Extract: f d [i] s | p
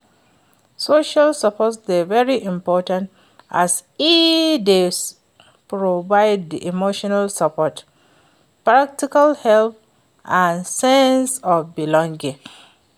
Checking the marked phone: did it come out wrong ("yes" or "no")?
yes